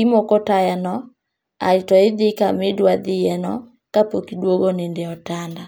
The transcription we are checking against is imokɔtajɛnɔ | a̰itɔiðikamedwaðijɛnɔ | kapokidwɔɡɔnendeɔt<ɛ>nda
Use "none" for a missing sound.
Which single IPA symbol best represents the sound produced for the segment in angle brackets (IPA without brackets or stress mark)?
a